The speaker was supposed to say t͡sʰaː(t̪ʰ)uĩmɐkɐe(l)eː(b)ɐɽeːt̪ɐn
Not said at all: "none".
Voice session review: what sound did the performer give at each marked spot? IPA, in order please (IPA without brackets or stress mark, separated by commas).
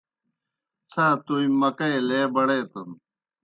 t̪, l, b